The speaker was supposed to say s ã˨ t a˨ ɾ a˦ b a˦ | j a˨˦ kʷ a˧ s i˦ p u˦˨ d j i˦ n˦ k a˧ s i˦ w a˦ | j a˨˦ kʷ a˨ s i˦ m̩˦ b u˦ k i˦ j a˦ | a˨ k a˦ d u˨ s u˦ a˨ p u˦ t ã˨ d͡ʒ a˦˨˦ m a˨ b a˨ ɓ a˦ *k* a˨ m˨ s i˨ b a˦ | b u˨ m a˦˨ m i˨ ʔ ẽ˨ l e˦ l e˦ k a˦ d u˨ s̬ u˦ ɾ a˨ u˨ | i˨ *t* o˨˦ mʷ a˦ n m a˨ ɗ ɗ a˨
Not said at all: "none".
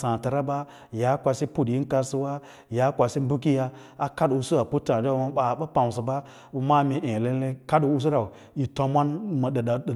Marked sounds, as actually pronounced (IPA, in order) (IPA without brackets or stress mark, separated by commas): p, t